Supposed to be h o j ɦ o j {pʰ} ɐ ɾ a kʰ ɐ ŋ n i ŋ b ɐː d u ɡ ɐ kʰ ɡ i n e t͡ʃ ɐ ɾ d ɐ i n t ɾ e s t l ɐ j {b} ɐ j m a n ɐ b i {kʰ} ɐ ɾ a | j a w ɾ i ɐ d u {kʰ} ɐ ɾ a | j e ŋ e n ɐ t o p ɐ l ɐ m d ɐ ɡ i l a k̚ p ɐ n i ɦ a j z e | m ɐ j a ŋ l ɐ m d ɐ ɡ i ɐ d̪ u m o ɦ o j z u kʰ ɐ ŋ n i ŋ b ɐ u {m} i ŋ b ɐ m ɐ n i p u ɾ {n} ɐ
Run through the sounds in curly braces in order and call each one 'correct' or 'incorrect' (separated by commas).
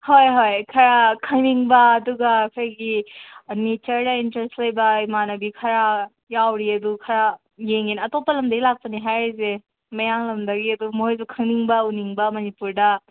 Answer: incorrect, correct, correct, correct, incorrect, incorrect